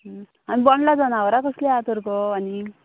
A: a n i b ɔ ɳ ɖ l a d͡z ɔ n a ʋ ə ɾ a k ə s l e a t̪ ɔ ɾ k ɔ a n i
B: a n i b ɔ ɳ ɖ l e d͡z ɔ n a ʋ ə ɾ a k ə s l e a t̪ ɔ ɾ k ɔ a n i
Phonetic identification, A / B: A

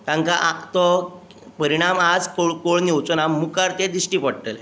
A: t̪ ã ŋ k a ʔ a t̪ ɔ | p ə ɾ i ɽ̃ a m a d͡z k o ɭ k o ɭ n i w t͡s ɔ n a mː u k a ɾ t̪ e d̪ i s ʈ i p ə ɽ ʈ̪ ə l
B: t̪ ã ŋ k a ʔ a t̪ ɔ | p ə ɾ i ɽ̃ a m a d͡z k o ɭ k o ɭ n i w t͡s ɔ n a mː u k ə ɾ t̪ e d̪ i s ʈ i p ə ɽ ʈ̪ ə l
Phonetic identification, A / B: A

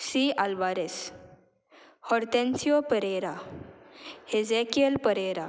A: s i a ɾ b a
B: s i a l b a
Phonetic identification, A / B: B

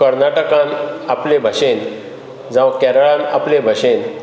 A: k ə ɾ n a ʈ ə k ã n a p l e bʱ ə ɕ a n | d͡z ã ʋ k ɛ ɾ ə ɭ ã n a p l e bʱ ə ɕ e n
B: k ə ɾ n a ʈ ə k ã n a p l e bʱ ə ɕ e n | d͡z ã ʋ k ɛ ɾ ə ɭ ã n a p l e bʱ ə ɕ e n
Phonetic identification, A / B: B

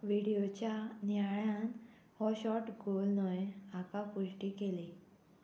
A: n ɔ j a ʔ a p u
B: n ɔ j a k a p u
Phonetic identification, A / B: B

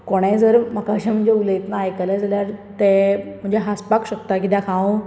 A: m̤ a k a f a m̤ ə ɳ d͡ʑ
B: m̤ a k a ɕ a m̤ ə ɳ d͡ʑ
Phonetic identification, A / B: B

